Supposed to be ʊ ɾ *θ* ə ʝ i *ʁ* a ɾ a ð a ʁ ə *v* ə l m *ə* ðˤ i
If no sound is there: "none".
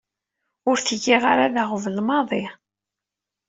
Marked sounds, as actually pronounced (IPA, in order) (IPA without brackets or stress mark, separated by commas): θ, ʁ, v, ɑ